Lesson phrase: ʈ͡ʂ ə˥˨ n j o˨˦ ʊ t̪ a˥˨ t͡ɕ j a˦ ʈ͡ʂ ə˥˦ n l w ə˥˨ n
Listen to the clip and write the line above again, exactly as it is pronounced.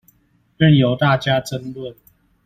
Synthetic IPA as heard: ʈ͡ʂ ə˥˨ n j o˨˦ ʊ t̪ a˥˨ t͡ɕ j a˦ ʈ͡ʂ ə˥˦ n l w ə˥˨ n